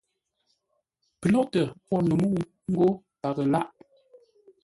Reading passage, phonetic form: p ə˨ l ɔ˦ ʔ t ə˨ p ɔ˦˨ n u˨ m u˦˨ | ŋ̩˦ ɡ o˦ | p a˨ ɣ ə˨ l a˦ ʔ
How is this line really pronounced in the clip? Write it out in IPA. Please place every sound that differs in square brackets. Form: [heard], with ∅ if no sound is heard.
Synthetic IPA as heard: p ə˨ l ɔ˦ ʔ t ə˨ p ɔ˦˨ n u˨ m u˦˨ | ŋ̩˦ ɡ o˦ | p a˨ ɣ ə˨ l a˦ ʔ